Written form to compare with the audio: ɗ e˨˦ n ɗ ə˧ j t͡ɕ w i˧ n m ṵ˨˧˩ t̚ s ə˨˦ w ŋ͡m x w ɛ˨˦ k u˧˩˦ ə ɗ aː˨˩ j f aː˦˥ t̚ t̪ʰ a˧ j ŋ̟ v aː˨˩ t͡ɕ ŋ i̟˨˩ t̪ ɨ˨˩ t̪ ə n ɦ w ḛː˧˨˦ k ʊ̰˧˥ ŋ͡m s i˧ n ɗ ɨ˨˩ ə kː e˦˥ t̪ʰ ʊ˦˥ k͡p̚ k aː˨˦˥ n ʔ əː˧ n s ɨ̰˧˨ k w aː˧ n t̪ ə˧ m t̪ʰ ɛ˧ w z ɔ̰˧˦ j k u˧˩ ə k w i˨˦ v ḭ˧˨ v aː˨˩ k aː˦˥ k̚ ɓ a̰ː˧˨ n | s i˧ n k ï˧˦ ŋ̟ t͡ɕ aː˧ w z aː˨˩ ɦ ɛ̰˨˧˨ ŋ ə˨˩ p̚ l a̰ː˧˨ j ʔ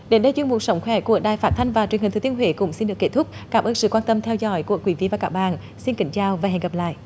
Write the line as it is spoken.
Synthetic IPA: ɗ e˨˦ n ɗ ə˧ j t͡ɕ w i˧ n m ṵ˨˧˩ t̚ s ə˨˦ w ŋ͡m x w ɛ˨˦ k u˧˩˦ ə ɗ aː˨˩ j f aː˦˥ t̚ t̪ʰ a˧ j ŋ̟ v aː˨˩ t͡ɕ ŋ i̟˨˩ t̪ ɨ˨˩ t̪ ə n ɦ w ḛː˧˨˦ k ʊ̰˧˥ ŋ͡m s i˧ n ɗ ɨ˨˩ ə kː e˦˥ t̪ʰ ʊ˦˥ k͡p̚ k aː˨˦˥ m ʔ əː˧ n s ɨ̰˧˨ k w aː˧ n t̪ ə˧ m t̪ʰ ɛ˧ w z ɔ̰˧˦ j k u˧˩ ə k w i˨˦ v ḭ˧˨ v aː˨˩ k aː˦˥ k̚ ɓ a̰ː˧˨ n | s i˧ n k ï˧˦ ŋ̟ t͡ɕ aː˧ w v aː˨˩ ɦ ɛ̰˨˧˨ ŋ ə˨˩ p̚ l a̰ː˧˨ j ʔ